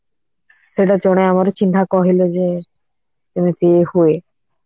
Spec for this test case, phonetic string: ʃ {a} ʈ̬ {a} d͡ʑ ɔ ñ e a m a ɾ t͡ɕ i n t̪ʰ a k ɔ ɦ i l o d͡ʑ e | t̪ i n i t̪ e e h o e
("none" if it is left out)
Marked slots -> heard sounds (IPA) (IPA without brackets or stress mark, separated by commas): e, a